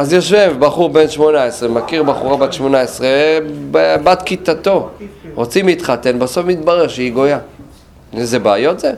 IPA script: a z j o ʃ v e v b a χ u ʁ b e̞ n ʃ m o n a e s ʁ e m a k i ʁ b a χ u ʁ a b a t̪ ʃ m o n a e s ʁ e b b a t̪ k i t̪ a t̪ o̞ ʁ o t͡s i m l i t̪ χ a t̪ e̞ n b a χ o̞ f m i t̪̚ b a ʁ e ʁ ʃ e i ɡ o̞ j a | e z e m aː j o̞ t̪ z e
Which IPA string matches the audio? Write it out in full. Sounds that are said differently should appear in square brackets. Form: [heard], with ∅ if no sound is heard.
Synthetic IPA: a z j o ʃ v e v b a χ u ʁ b e̞ n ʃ m o n a e s ʁ e m a k i ʁ b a χ u ʁ a b a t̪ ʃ m o n a e s ʁ e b b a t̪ k i t̪ a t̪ o̞ ʁ o t͡s i m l i t̪ χ a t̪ e̞ n b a [s] o̞ f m i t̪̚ b a ʁ e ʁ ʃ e i ɡ o̞ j a | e z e [b] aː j o̞ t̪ z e